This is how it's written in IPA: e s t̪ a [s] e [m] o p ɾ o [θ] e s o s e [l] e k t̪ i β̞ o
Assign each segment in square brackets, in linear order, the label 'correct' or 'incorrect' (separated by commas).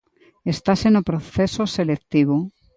correct, incorrect, correct, correct